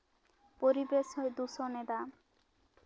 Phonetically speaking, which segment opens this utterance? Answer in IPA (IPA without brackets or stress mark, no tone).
p